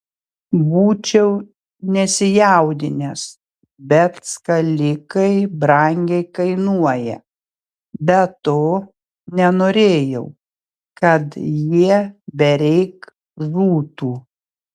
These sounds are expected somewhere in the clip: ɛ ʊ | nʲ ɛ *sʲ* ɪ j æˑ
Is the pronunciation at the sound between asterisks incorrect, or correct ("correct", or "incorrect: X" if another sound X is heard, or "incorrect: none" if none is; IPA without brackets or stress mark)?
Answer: correct